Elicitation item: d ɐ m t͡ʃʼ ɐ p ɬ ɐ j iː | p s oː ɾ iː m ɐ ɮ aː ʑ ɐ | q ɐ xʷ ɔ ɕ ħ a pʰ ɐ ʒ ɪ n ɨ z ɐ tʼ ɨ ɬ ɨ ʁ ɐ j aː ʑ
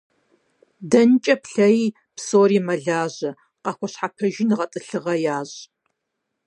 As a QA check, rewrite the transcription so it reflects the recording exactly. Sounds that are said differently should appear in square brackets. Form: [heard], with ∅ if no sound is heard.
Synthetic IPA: d ɐ [n] t͡ʃʼ ɐ p ɬ ɐ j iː | p s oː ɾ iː m ɐ ɮ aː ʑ ɐ | q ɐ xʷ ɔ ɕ ħ a pʰ ɐ ʒ ɪ n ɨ [ʁ] ɐ tʼ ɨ ɬ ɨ ʁ ɐ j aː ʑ